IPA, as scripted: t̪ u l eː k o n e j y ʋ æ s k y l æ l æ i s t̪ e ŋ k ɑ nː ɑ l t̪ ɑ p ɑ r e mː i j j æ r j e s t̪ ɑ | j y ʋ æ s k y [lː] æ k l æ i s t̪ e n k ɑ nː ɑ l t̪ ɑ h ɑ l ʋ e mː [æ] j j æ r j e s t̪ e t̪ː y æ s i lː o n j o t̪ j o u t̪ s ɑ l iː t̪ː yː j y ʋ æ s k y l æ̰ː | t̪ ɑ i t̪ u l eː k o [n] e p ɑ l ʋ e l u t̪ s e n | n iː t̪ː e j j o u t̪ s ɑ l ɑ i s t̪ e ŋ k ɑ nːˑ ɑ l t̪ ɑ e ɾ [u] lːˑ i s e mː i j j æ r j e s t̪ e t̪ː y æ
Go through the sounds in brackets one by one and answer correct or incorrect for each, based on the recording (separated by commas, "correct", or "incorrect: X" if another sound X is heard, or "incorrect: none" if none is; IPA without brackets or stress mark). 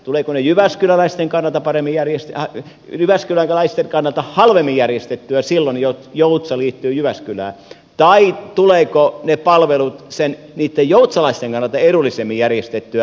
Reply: incorrect: l, incorrect: i, correct, correct